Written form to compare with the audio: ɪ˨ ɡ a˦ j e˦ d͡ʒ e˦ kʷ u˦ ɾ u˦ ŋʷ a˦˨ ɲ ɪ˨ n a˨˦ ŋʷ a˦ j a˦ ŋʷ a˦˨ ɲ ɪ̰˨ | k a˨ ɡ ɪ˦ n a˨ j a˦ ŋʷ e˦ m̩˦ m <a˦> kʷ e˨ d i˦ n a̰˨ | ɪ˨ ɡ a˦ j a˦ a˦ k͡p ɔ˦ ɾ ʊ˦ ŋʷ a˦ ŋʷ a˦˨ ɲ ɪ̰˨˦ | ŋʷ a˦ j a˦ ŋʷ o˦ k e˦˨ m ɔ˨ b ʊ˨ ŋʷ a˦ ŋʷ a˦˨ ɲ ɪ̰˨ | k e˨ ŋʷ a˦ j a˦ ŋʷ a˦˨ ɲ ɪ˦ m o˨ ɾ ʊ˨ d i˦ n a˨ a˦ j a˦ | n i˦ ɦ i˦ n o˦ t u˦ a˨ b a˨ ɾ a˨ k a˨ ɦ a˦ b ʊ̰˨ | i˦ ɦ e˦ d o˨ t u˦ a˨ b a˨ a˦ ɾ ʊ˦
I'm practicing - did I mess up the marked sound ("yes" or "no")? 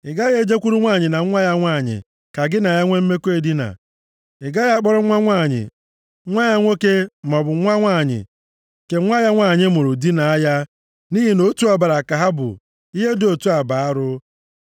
yes